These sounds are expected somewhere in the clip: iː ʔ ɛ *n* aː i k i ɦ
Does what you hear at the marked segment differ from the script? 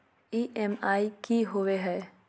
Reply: yes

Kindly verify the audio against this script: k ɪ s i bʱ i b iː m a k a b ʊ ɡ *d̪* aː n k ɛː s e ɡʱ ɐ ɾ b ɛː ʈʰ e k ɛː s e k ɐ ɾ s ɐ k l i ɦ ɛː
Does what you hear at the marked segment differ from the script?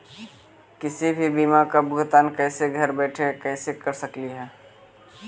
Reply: yes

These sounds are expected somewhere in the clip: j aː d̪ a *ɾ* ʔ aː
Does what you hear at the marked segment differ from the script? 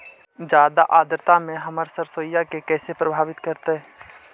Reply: yes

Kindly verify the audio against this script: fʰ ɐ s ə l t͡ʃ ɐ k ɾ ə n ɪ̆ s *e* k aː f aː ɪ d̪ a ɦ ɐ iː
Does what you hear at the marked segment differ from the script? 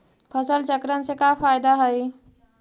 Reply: no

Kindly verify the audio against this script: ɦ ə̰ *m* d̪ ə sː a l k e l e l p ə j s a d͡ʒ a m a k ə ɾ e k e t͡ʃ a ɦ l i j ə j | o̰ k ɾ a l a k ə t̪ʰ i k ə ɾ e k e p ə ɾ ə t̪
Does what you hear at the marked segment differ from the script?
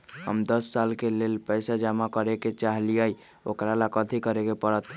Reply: no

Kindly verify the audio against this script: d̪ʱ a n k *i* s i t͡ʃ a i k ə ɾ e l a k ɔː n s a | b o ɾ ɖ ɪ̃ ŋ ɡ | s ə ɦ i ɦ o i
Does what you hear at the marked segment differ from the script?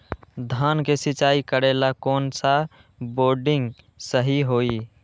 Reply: yes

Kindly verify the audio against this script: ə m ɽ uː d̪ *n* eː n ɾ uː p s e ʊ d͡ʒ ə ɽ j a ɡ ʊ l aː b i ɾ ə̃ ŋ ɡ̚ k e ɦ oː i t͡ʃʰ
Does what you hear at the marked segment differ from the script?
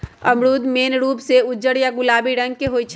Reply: yes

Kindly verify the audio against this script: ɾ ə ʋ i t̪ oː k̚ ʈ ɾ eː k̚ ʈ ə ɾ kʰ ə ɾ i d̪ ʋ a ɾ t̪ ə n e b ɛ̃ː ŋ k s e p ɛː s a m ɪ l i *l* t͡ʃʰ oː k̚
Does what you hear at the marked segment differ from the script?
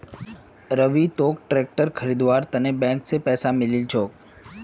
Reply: no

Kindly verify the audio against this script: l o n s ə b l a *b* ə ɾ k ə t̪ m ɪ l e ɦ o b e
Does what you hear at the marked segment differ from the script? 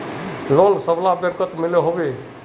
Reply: no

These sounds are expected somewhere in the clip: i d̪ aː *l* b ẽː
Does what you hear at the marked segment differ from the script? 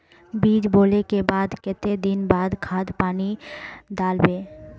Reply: no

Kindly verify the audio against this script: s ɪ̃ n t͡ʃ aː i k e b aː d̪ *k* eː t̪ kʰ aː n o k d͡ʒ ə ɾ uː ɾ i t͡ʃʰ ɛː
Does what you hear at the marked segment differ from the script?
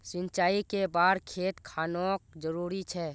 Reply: yes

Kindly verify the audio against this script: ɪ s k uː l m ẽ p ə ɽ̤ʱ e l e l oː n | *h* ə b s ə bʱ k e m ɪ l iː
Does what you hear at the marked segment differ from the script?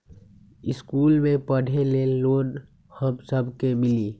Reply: no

